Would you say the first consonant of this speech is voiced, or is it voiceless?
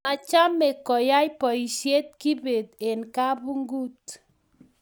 voiceless